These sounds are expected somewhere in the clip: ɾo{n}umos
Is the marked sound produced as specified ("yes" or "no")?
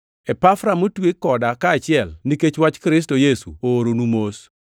yes